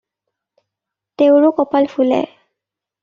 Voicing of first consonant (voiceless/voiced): voiceless